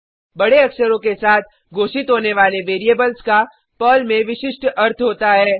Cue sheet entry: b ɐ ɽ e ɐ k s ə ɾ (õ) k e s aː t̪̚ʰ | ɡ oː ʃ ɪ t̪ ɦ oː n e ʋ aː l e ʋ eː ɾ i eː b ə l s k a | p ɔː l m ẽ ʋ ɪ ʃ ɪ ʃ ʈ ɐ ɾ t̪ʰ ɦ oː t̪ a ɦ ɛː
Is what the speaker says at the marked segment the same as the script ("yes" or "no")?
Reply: yes